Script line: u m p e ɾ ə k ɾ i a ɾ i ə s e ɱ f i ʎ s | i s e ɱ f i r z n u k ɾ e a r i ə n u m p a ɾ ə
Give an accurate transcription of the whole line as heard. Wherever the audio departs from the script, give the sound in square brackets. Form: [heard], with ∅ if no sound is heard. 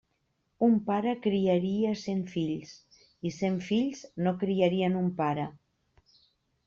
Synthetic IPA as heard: u m p [a] ɾ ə k ɾ i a ɾ i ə s e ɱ f i ʎ s | i s e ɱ f i [ʎ] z n [o] k ɾ [i] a [ɾ] i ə n u m p a ɾ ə